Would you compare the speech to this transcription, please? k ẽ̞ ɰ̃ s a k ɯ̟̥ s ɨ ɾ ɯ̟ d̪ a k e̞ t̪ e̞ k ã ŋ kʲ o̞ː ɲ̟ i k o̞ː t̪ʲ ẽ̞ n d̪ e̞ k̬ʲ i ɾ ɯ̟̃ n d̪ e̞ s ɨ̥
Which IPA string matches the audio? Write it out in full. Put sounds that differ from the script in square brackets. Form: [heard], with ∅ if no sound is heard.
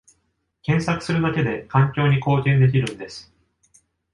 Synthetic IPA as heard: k ẽ̞ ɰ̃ s a k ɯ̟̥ s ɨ ɾ ɯ̟ d̪ a k e̞ [d̪] e̞ k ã ŋ kʲ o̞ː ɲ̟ i k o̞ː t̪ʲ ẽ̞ n d̪ e̞ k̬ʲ i ɾ ɯ̟̃ n d̪ e̞ s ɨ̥